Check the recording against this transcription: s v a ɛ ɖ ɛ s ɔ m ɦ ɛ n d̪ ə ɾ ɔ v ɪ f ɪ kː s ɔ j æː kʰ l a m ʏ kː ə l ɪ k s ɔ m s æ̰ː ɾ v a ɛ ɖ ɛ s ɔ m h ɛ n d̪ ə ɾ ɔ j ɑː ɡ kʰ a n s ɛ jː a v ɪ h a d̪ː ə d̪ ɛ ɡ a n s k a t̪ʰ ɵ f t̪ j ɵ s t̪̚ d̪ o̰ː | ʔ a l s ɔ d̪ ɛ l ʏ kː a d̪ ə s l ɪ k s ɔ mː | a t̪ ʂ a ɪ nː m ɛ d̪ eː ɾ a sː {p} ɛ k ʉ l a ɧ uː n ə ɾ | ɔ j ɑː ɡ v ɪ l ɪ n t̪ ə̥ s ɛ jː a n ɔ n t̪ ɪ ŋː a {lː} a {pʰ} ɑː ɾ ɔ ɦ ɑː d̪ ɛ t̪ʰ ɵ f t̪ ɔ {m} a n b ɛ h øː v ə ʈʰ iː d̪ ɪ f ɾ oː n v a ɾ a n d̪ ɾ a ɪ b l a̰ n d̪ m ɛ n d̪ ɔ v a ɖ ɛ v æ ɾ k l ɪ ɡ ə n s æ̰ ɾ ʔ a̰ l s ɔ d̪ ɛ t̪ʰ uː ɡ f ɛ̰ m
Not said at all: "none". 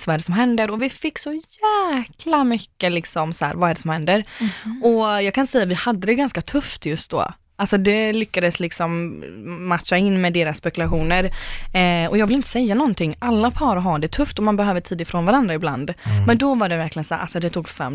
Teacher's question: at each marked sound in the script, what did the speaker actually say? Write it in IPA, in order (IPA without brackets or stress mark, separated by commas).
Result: p, lː, pʰ, m